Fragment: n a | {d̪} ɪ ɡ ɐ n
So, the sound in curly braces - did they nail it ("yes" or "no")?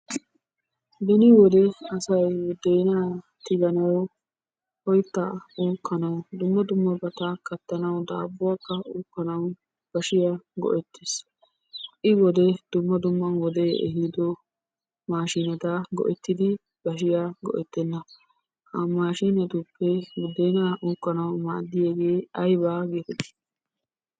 no